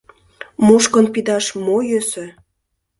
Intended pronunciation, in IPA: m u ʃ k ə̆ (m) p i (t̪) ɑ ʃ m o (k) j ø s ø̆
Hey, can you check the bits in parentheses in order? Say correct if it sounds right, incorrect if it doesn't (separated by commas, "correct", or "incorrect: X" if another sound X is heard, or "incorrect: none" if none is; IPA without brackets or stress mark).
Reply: incorrect: n, incorrect: d̪, incorrect: none